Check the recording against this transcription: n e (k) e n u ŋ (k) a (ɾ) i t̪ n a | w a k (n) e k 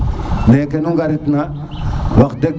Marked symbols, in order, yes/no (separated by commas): yes, no, yes, no